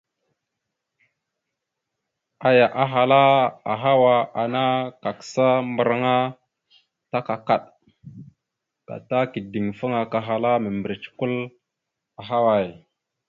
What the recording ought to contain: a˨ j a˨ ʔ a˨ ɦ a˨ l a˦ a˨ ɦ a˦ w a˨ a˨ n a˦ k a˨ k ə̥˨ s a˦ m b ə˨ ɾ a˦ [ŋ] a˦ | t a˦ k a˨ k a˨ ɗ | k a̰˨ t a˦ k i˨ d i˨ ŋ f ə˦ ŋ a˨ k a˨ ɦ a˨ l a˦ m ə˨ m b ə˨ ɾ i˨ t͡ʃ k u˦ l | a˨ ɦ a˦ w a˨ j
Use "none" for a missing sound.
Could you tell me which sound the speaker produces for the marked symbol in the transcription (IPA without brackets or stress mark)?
ŋ